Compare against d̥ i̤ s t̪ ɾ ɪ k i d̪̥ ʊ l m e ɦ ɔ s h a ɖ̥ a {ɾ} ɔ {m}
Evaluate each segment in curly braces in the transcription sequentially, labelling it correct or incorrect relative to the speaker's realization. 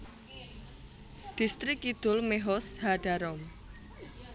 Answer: correct, correct

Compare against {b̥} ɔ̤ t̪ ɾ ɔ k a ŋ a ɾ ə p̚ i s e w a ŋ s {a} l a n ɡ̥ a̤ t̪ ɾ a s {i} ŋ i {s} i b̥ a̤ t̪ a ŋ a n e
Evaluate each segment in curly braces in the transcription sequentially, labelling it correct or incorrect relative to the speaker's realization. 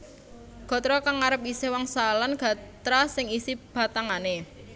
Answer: incorrect: ɡ̥, correct, incorrect: ɪ, correct

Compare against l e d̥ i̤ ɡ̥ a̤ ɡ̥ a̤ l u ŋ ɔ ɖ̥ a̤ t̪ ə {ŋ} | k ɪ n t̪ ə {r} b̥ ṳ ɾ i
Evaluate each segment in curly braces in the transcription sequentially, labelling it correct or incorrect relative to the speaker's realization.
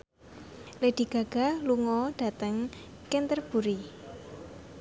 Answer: correct, correct

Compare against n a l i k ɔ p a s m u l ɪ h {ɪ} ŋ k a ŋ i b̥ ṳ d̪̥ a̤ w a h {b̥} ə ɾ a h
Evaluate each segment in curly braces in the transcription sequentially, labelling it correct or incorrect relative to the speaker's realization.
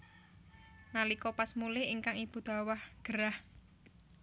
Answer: incorrect: i, incorrect: ɡ̥

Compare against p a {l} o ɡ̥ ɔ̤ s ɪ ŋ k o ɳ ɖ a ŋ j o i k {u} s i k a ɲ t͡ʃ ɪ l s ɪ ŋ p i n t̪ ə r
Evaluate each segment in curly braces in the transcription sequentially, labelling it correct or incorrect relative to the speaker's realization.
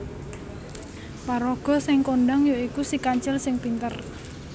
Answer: incorrect: ɾ, correct

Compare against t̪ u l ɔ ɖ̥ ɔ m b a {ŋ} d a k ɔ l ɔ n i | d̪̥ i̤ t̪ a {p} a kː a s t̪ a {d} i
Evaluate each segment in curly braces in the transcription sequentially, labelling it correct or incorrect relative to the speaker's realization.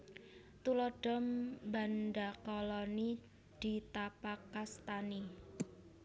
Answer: incorrect: n, correct, incorrect: n

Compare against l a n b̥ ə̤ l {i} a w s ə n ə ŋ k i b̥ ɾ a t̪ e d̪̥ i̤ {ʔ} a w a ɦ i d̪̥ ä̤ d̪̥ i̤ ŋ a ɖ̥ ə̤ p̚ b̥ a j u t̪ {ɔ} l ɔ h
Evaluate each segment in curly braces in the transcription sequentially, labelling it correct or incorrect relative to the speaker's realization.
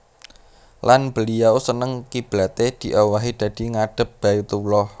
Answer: correct, correct, incorrect: u

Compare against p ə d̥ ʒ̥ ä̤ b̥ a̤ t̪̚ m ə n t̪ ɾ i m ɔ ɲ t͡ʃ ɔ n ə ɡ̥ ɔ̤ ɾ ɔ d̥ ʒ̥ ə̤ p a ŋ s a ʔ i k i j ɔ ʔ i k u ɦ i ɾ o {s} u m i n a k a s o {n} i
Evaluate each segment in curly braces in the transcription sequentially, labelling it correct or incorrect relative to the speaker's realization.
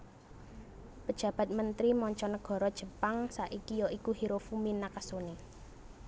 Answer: incorrect: f, correct

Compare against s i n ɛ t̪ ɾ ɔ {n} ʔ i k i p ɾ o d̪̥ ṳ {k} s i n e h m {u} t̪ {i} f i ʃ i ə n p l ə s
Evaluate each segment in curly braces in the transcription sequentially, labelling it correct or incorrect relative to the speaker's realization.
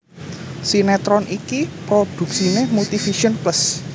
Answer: correct, correct, correct, correct

